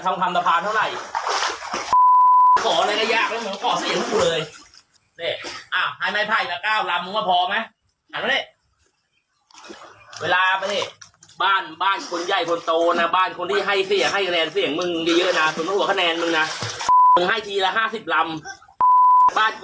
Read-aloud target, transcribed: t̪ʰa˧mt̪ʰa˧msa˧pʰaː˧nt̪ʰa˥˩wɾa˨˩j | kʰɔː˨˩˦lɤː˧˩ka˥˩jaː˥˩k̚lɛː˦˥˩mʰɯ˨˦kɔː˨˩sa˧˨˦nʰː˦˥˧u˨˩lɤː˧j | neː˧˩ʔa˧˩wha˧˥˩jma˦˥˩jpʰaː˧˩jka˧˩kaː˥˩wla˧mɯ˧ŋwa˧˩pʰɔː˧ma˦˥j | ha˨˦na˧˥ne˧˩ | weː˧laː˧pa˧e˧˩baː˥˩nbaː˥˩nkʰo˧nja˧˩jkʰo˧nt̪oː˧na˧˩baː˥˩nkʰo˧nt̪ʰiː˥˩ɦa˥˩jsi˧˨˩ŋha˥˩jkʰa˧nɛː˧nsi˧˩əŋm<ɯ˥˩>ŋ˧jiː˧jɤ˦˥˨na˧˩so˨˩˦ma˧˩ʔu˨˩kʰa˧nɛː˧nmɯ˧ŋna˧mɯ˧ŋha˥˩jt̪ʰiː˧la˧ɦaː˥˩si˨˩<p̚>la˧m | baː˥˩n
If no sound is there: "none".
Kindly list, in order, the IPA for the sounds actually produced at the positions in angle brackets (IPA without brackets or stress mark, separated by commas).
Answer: ɯ˧, p̚